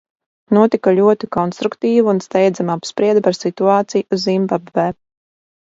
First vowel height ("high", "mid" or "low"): high